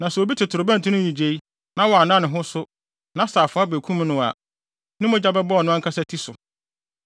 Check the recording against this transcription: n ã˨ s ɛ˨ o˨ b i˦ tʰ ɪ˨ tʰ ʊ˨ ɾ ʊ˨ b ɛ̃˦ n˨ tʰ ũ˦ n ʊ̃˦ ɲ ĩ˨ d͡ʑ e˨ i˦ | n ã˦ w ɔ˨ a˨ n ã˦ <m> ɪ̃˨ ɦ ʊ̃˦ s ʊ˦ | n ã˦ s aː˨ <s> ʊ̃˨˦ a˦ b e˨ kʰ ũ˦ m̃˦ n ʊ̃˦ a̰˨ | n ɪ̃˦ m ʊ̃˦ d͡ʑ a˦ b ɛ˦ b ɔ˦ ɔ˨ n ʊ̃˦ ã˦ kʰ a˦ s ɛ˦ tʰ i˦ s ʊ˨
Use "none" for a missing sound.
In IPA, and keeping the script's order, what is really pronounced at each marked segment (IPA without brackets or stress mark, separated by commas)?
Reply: n, f